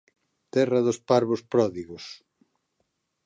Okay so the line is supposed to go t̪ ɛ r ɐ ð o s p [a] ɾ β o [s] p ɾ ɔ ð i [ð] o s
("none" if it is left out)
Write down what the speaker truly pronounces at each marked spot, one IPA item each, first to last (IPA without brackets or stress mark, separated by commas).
a, s, ɣ